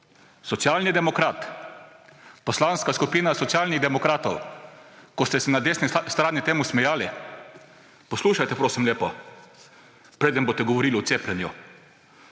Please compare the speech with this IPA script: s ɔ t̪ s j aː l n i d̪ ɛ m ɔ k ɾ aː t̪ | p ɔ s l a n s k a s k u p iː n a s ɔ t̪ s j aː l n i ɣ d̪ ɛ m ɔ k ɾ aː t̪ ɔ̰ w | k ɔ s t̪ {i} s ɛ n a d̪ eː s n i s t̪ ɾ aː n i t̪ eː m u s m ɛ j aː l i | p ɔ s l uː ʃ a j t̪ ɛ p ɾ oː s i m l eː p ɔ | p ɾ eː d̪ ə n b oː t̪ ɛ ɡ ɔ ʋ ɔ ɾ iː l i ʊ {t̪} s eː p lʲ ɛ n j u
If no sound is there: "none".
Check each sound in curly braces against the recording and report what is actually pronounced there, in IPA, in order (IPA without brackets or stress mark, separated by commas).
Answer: ɛ, t̪